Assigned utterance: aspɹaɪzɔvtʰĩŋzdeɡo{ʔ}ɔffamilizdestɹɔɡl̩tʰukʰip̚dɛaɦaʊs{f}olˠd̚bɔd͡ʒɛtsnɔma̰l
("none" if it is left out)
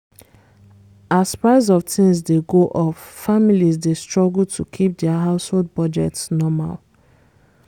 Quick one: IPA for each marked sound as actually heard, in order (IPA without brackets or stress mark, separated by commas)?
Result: ʔ, h